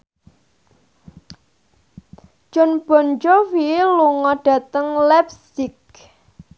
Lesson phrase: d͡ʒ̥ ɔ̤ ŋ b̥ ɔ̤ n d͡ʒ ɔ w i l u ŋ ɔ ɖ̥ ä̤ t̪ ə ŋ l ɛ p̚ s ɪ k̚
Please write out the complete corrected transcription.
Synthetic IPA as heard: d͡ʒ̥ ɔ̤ n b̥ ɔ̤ n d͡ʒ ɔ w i l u ŋ ɔ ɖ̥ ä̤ t̪ ə ŋ l ɛ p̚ s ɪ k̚